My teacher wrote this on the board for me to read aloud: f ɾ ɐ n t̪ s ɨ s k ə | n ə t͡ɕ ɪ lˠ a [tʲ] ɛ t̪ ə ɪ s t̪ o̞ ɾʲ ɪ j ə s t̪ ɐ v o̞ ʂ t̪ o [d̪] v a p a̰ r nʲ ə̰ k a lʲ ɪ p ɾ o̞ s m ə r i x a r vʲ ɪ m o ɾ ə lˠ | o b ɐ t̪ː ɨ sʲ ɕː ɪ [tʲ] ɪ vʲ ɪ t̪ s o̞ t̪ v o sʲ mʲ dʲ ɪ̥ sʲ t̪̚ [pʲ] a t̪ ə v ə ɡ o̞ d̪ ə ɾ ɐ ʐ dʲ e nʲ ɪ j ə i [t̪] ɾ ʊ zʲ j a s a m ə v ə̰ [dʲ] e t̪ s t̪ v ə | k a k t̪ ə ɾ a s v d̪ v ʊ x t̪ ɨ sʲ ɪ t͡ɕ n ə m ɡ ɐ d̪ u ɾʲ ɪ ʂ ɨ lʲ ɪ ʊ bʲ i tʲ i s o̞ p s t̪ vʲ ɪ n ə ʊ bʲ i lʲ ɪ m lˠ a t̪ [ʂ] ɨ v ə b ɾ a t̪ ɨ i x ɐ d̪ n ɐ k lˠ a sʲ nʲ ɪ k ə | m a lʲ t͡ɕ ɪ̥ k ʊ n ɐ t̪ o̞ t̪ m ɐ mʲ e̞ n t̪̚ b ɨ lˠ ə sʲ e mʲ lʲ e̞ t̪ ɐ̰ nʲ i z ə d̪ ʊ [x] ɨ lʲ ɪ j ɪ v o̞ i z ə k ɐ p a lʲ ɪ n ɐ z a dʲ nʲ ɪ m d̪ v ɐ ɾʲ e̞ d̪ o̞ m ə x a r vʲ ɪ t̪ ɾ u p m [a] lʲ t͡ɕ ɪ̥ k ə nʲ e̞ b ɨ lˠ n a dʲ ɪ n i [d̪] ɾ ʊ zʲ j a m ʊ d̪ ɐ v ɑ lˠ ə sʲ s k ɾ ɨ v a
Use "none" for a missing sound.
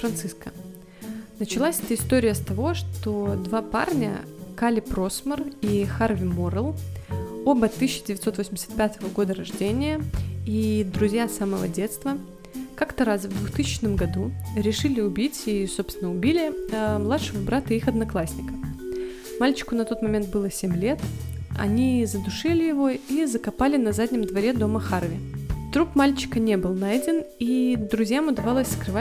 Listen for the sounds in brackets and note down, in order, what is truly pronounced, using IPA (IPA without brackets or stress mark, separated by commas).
sʲ, d̪, dʲ, pʲ, d̪, dʲ, ʂ, ʂ, a, d̪